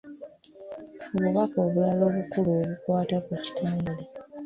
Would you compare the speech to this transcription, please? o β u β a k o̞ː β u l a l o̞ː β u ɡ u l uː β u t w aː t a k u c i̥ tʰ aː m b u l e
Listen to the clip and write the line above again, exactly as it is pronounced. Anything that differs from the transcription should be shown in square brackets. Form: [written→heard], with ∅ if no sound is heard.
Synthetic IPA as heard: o β u β a k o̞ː β u l a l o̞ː β u [ɡ→k] u l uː β u [t→k] w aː t a k u c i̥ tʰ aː m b u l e